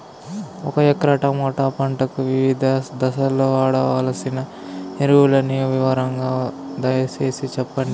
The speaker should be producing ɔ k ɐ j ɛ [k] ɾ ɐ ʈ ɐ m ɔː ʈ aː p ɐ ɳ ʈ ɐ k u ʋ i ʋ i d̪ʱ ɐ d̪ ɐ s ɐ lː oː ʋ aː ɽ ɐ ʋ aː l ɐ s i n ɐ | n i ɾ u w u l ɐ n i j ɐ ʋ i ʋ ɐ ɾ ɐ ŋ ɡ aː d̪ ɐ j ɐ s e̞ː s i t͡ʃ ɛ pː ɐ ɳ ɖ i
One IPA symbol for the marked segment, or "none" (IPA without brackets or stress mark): k